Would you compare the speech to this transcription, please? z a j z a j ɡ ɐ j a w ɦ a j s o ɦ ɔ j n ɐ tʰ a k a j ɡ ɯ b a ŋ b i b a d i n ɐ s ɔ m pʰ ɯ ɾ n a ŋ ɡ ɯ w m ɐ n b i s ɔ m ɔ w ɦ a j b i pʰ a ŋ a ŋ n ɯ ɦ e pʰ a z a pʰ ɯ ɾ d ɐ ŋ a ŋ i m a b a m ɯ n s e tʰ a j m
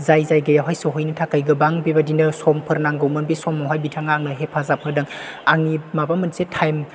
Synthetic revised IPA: z a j z a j ɡ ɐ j a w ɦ a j s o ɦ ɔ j n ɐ tʰ a k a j ɡ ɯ b a ŋ b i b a d i n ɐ s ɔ m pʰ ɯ ɾ n a ŋ ɡ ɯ w m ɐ n b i s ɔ m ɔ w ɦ a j b i tʰ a ŋ a ŋ n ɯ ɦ e pʰ a z a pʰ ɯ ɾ d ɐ ŋ a ŋ i m a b a m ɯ n s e tʰ a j m